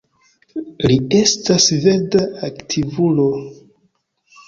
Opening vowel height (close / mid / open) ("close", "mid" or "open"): close